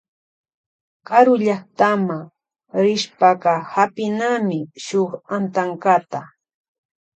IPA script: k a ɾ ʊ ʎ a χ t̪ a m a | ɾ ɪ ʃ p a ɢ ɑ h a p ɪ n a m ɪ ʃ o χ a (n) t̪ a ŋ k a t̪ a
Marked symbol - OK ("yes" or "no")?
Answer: yes